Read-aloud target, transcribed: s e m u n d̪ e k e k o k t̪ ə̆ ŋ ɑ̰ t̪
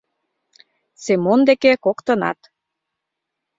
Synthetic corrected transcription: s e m o n d̪ e k e k o k t̪ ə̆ n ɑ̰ t̪